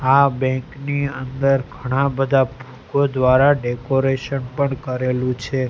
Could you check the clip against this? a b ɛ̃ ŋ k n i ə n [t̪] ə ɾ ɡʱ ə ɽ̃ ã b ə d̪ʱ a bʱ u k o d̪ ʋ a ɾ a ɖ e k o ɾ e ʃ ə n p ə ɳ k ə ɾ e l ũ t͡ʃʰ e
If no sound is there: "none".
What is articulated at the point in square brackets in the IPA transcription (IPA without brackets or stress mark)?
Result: d̪